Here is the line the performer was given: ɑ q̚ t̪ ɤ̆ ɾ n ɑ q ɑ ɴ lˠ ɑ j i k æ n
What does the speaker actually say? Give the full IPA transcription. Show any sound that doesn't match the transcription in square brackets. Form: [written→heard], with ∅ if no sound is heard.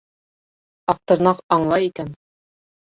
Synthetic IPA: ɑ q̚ t̪ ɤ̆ ɾ n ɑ q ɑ ɴ lˠ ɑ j i k æ n